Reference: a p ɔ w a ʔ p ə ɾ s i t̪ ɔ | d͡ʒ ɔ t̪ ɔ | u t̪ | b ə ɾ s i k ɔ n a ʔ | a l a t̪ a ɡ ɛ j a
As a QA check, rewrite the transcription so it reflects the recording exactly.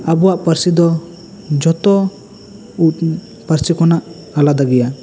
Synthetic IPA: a b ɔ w a ʔ p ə ɾ s i d̪ ɔ | d͡ʒ ɔ t̪ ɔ | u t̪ | p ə ɾ s i k ɔ n a ʔ | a l a d̪ a ɡ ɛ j a